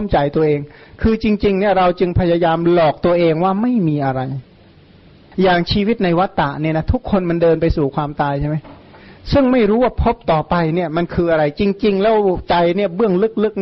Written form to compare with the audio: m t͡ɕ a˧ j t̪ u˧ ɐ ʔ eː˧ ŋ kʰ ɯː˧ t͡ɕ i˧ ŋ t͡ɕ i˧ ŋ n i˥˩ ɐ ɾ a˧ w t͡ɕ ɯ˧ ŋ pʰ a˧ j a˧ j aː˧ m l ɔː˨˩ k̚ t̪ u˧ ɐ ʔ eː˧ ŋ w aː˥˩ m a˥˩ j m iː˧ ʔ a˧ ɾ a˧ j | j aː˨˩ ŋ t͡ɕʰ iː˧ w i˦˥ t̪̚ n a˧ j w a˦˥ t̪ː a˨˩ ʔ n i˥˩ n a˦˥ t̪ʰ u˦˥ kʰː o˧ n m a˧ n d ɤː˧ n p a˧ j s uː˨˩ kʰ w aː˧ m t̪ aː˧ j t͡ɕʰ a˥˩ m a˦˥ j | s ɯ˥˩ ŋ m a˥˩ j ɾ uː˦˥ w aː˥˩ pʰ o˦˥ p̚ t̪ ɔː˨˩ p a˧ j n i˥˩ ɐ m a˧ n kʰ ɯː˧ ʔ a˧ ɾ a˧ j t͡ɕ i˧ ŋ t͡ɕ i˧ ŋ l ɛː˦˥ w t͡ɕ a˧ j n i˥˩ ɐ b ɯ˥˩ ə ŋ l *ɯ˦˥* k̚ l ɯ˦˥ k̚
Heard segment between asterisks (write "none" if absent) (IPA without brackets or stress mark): ɯ˦˥